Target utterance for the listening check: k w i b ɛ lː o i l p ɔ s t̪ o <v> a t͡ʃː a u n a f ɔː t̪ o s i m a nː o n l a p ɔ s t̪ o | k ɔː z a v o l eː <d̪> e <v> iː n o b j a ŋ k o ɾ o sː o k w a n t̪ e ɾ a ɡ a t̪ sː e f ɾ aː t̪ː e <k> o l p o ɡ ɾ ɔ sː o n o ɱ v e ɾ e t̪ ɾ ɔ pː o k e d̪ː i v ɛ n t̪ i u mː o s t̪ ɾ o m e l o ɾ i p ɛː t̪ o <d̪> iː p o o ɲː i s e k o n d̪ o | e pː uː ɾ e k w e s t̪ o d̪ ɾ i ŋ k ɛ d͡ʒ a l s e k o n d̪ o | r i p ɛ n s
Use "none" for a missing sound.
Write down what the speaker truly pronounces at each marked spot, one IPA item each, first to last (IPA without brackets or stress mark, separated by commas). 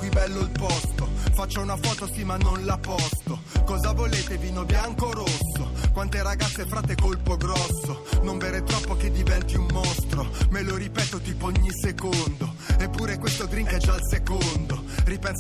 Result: f, t̪, v, k, t̪